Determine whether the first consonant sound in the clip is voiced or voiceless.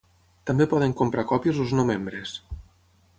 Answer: voiceless